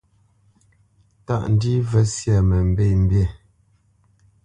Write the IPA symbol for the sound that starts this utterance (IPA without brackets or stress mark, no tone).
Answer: t